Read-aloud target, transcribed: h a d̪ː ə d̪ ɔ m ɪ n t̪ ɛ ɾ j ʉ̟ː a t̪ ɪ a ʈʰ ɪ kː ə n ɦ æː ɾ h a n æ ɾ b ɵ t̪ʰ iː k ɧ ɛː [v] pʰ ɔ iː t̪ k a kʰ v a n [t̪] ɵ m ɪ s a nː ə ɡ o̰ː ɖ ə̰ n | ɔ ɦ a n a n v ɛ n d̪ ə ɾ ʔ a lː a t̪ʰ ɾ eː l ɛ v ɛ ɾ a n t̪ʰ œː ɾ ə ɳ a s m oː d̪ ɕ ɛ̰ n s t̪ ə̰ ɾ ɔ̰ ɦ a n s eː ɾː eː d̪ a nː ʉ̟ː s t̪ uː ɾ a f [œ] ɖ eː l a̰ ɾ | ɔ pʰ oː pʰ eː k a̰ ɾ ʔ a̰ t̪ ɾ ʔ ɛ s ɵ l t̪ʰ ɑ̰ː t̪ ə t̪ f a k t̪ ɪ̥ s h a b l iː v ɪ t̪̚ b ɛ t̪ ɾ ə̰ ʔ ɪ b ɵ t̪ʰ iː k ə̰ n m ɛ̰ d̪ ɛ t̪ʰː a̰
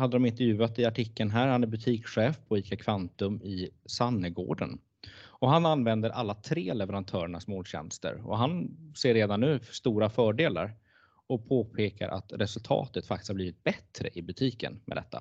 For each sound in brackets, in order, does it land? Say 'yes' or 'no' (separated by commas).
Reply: no, yes, no